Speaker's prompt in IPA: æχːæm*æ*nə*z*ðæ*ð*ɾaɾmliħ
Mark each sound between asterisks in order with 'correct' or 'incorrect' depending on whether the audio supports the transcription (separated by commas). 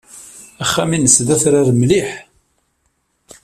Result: incorrect, incorrect, incorrect